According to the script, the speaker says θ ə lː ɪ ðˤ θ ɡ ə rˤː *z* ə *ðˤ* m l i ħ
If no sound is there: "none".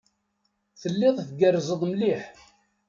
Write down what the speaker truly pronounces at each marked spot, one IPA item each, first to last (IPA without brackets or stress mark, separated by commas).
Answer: z, ðˤ